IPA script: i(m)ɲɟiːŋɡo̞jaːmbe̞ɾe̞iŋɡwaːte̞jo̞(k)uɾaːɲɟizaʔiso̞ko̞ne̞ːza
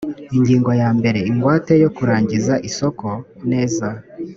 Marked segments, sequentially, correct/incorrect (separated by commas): incorrect, correct